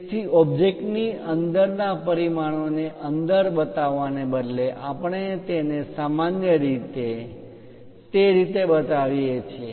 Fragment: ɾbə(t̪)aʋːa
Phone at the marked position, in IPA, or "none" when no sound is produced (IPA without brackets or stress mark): t̪